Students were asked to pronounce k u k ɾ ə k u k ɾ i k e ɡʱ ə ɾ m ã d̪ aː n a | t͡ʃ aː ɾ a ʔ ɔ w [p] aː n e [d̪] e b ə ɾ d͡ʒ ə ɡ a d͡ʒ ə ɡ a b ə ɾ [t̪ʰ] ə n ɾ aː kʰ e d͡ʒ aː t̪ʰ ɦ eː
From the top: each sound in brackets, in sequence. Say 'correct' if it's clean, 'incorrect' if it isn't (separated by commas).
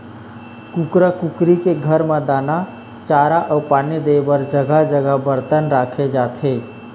correct, correct, incorrect